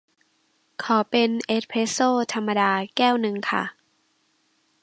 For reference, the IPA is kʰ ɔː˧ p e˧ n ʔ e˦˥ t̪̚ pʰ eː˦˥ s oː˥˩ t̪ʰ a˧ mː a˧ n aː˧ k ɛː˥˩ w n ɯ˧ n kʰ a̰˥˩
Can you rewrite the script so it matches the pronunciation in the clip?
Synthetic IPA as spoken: kʰ ɔː˩˦ p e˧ n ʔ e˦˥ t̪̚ pʰ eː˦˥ s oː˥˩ t̪ʰ a˧ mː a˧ d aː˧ k ɛː˥˩ w n ɯ˧ ŋ kʰ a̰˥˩